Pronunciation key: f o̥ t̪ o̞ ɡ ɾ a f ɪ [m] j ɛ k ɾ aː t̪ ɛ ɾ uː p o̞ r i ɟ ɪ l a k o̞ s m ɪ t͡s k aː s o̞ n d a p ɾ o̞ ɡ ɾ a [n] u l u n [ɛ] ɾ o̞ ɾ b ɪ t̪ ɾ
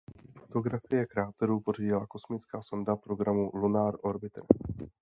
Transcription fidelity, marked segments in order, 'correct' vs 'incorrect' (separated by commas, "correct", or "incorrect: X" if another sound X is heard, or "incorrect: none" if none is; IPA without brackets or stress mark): incorrect: none, incorrect: m, incorrect: a